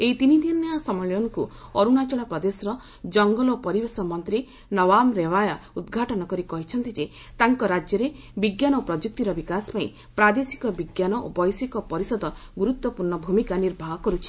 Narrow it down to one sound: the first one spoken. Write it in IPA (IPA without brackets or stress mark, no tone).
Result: e